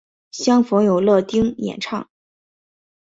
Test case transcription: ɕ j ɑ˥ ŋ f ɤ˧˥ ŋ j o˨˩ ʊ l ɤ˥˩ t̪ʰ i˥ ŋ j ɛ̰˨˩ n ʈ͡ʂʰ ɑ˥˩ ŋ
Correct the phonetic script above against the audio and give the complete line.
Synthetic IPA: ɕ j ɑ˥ ŋ f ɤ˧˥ ŋ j o˨˩ ʊ l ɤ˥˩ t̪ i˥ ŋ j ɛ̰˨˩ n ʈ͡ʂʰ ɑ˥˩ ŋ